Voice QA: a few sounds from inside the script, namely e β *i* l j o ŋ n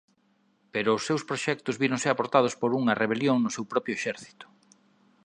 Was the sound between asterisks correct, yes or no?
no